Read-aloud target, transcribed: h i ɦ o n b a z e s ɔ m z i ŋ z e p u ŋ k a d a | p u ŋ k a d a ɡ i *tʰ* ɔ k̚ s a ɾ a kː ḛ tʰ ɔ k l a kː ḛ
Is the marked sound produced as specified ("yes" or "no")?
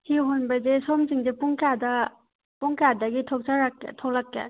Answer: yes